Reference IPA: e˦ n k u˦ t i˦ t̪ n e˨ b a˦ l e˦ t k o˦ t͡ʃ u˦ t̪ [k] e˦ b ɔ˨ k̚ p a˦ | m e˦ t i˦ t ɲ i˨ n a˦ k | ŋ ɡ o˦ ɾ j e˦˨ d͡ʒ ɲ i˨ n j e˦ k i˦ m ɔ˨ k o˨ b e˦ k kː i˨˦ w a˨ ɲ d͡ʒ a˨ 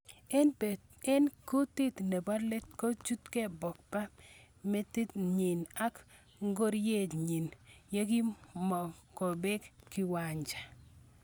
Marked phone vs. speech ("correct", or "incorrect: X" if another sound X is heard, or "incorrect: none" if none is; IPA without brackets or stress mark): correct